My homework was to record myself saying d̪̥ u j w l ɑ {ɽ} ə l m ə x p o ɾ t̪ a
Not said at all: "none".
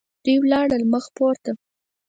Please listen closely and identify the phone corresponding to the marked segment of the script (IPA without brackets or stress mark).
ɽ